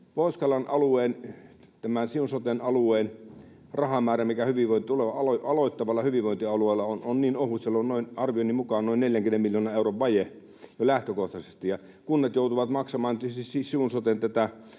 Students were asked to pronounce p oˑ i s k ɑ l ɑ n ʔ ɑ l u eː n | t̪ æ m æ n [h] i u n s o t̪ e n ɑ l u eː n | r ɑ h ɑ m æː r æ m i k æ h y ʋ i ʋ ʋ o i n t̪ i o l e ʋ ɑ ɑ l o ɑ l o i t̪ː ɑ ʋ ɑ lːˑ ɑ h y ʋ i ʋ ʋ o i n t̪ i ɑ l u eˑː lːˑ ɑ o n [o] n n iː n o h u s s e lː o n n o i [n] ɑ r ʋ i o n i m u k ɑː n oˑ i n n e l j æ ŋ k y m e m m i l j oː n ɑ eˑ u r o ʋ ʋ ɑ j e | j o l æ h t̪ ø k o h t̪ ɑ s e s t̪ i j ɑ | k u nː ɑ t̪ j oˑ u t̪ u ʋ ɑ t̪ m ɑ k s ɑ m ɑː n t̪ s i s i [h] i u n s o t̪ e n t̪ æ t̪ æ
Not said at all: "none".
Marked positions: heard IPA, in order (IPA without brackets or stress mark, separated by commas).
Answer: s, o, n, s